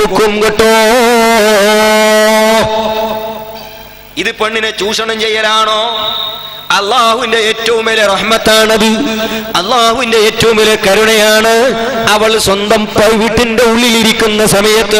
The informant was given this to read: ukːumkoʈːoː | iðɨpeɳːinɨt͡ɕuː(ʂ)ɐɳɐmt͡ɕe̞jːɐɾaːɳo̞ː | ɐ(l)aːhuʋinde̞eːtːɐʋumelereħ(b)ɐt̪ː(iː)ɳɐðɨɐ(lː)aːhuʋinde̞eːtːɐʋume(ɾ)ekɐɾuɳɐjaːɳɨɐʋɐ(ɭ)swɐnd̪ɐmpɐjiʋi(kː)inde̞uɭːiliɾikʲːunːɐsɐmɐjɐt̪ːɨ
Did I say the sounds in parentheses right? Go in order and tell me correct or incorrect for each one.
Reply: correct, incorrect, incorrect, incorrect, correct, incorrect, correct, incorrect

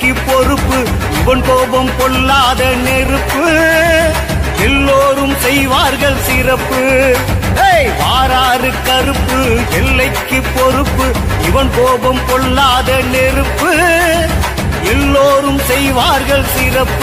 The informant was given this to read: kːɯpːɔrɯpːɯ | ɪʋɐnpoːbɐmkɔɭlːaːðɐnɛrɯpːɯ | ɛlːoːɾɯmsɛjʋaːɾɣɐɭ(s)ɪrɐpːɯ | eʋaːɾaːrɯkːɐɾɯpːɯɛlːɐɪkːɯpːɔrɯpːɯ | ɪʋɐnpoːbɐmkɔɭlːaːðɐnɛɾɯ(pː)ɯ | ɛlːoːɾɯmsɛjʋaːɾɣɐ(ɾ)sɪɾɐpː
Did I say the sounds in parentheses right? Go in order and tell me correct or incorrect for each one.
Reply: correct, correct, incorrect

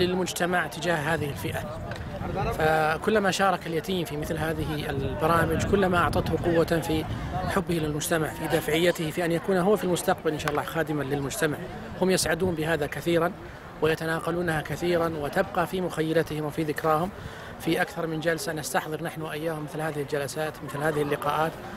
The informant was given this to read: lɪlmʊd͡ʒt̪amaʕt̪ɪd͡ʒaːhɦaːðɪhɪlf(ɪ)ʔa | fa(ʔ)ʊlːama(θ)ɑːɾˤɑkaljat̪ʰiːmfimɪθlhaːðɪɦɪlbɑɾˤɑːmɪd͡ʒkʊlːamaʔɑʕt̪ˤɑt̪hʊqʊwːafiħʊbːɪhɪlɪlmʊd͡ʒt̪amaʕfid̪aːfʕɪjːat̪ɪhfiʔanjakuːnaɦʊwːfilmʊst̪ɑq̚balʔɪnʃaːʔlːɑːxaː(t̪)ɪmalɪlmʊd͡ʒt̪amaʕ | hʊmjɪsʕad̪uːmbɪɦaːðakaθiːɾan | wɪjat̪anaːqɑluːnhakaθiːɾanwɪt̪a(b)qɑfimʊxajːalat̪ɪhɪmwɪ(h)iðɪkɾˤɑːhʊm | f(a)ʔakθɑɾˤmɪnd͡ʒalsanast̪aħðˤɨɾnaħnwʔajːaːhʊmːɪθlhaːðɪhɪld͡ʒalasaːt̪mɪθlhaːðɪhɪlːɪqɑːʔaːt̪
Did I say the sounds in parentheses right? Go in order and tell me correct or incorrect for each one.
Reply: correct, incorrect, incorrect, incorrect, correct, incorrect, incorrect

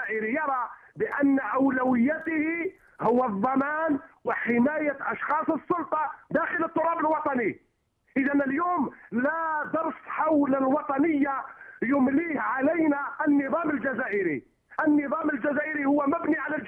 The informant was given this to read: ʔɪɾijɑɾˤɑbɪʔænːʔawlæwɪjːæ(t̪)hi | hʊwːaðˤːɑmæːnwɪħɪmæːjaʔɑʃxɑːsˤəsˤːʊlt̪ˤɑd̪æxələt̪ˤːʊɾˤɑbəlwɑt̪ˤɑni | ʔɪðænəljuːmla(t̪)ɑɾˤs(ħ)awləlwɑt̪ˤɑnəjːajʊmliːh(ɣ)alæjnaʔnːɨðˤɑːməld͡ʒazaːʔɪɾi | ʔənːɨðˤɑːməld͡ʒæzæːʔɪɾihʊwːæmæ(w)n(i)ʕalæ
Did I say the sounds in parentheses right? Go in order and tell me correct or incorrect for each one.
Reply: correct, incorrect, correct, incorrect, incorrect, correct

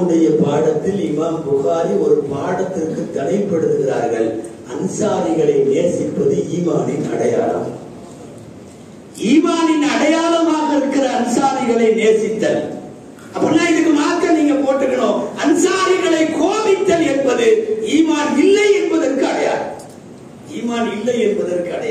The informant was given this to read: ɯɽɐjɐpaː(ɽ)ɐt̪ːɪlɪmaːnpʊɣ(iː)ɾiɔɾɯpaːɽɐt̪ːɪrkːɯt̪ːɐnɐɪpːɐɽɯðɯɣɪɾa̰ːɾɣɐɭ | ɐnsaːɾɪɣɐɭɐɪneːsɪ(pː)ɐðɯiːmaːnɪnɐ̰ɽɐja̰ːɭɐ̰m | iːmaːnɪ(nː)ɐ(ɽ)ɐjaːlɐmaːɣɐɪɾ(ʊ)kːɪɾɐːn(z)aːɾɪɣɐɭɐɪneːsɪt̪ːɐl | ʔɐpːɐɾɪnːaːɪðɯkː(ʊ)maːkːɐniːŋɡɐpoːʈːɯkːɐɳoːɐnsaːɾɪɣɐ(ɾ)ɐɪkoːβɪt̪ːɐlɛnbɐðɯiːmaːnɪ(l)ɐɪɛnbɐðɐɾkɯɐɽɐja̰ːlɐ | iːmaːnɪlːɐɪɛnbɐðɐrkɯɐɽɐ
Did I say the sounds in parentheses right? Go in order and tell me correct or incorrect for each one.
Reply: correct, incorrect, correct, incorrect, correct, incorrect, incorrect, incorrect, incorrect, incorrect

